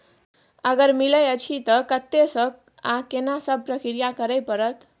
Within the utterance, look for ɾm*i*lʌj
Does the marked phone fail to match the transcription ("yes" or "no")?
no